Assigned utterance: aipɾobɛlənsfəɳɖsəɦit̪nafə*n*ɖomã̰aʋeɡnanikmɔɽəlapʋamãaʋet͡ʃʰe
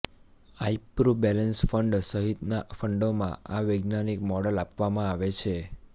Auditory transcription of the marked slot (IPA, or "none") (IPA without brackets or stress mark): ɳ